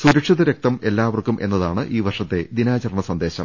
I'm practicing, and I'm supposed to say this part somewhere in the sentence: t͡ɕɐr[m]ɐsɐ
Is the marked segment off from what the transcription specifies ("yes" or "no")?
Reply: yes